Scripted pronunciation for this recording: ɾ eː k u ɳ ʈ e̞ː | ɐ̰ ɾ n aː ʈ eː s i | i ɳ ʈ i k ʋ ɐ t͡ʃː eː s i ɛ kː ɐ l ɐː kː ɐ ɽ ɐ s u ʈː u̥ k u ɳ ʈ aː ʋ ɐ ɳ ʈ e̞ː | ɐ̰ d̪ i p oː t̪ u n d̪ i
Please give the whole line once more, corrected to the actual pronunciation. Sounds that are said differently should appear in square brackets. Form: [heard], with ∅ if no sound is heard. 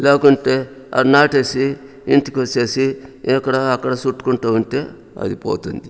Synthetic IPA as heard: [l] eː k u ɳ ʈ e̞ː | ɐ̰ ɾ n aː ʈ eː s i | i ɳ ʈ i k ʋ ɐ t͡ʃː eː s i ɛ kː ɐ [ɽ] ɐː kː ɐ ɽ ɐ s u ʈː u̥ k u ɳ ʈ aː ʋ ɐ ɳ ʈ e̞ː | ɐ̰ d̪ i p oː t̪ u n d̪ i